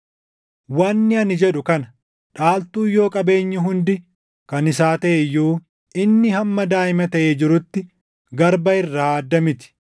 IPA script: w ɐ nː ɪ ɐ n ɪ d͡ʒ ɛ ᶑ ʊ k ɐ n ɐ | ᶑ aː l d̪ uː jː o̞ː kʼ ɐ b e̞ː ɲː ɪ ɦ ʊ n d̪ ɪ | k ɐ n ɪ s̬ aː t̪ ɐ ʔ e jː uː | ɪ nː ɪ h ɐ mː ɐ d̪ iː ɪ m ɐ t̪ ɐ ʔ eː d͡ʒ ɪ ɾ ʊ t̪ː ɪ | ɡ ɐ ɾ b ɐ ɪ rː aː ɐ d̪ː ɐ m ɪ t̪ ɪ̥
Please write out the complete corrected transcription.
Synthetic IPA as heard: w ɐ nː ɪ ɐ n ɪ d͡ʒ ɛ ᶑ ʊ k ɐ n ɐ | ᶑ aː l t̪ uː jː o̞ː kʼ ɐ b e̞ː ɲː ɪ ɦ ʊ n d̪ ɪ | k ɐ n ɪ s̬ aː t̪ ɐ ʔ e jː uː | ɪ nː ɪ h ɐ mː ɐ d̪ aː ɪ m ɐ t̪ ɐ ʔ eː d͡ʒ ɪ ɾ ʊ t̪ː ɪ | ɡ ɐ ɾ b ɐ ɪ rː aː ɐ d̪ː ɐ m ɪ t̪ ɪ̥